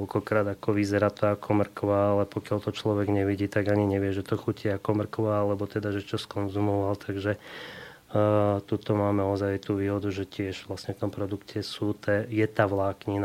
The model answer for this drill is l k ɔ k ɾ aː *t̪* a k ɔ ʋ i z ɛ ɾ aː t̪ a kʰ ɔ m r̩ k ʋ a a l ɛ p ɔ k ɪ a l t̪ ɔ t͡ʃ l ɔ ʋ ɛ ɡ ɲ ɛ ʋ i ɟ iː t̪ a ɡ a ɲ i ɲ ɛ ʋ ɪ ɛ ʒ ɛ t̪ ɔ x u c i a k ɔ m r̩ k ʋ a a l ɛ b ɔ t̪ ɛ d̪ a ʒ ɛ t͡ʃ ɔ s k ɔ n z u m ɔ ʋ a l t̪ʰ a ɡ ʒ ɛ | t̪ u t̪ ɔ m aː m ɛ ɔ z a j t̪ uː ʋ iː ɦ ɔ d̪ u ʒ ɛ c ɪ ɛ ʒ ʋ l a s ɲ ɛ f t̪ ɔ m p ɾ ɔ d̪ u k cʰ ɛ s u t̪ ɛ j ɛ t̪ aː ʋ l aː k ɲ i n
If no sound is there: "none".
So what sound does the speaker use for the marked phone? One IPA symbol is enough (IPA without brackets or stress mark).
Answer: d̪